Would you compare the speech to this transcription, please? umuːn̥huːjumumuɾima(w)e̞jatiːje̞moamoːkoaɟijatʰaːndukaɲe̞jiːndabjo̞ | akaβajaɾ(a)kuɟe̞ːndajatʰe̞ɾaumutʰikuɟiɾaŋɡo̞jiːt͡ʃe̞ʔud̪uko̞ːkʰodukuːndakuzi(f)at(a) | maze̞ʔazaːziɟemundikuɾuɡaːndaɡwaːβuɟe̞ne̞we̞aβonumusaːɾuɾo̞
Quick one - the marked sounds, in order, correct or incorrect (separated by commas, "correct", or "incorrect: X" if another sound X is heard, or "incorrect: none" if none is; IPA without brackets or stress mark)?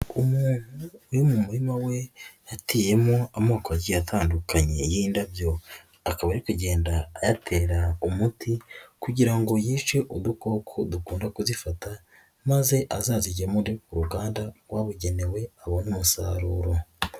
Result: correct, incorrect: i, correct, correct